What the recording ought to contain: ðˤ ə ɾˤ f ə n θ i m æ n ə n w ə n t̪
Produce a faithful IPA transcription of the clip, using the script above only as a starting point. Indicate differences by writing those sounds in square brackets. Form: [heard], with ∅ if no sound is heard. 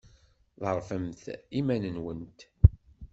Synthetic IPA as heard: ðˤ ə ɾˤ f ə [m] θ i m æ n ə n w ə n t̪